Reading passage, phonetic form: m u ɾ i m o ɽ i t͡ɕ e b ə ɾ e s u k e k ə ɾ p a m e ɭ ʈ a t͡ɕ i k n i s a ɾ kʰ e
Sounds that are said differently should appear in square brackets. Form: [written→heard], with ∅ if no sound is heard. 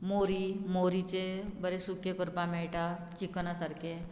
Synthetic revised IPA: m [u→o] ɾ i m o [ɽ→ɾ] i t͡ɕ e b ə ɾ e s u k e k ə ɾ p a m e ɭ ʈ a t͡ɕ i k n [i→a] s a ɾ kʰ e